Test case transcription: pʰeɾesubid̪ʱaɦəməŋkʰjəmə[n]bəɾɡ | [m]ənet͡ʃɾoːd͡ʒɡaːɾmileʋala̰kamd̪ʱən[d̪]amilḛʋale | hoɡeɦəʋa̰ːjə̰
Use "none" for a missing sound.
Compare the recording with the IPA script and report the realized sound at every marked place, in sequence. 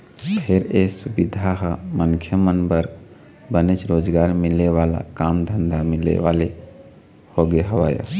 n, b, d̪

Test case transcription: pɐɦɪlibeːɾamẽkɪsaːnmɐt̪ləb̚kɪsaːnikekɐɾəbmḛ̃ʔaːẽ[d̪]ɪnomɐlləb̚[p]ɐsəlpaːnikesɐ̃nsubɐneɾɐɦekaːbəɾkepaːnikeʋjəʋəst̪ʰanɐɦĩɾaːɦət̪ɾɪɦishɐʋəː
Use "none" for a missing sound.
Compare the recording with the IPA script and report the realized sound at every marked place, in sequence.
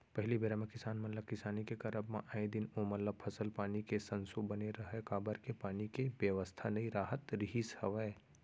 d̪, pʰ

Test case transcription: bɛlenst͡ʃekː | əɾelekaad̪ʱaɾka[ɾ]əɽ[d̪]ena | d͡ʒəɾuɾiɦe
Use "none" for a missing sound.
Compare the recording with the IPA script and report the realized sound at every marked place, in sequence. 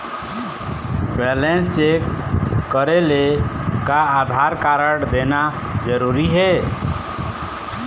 ɾ, d̪

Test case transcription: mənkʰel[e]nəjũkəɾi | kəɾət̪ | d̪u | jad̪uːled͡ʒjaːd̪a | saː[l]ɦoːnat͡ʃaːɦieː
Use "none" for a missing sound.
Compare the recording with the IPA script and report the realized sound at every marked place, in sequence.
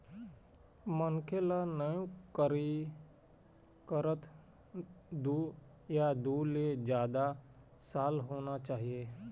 a, l

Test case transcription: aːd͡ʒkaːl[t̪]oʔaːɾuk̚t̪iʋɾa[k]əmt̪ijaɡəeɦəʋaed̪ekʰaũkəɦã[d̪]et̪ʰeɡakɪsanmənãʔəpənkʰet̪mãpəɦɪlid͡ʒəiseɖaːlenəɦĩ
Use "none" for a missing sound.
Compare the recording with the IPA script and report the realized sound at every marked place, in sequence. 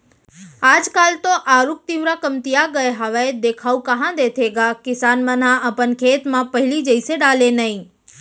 t̪, k, d̪

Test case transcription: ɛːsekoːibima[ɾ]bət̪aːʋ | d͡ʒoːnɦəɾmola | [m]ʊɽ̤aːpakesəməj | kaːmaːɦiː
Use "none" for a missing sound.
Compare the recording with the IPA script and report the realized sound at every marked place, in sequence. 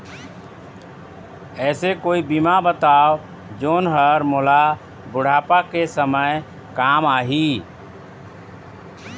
none, b

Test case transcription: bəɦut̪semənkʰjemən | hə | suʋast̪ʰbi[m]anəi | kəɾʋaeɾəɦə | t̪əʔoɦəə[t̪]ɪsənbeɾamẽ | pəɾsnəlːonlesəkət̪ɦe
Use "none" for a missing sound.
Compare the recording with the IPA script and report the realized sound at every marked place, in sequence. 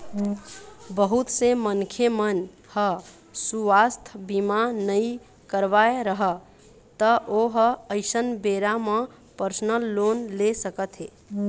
m, none

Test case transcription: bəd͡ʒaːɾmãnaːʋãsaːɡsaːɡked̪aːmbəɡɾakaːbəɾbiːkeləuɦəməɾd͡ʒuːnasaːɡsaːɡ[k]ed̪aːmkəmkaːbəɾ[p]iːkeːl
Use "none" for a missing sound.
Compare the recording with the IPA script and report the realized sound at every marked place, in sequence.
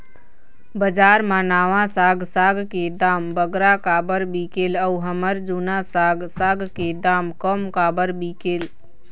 k, b

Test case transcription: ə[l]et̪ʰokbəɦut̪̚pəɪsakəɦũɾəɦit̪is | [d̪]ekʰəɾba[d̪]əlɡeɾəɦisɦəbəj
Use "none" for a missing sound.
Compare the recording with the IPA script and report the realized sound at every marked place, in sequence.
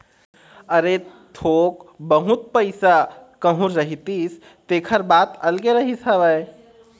ɾ, t̪, t̪

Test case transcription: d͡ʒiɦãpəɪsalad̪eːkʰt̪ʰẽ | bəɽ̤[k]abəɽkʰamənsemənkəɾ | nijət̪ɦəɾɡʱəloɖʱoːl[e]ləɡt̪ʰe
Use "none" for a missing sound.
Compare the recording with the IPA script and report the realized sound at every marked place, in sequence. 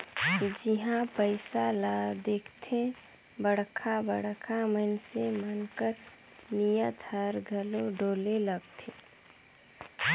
kʰ, e

